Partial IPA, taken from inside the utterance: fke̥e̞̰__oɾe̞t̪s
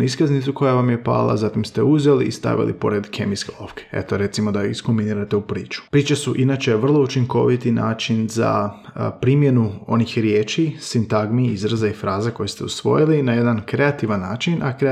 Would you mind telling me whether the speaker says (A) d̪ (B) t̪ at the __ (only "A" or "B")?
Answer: B